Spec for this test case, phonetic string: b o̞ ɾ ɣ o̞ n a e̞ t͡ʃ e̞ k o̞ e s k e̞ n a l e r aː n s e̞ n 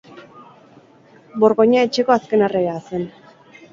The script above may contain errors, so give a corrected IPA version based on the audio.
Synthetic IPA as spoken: b o̞ ɾ ɣ o̞ ɲ a e̞ t͡ʃ e̞ k o̞ a s k e̞ n a r e ɾ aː s e̞ n